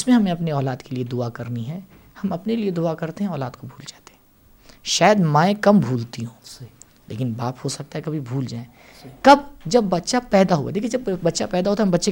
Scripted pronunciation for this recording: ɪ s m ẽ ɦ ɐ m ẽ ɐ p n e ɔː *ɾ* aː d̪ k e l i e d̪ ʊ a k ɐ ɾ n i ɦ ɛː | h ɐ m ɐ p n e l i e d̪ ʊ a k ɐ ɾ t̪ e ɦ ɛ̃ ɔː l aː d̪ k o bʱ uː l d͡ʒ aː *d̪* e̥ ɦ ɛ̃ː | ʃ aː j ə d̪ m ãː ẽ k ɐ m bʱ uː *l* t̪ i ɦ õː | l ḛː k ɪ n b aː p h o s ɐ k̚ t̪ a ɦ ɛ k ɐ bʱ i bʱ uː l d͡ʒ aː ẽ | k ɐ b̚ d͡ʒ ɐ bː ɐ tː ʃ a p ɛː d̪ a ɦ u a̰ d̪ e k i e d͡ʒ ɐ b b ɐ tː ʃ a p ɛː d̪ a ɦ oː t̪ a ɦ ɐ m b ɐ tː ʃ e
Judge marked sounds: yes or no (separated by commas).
no, no, yes